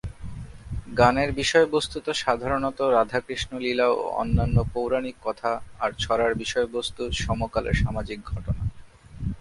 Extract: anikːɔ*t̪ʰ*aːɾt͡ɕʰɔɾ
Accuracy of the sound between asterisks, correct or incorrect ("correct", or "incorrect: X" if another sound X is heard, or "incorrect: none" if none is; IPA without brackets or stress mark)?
correct